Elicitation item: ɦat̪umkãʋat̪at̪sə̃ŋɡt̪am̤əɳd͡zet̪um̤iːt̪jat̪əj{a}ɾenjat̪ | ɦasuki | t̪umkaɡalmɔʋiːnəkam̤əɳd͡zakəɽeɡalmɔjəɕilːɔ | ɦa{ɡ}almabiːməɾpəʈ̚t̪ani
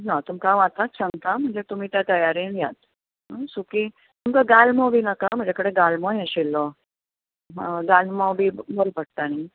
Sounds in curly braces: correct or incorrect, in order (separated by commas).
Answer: correct, correct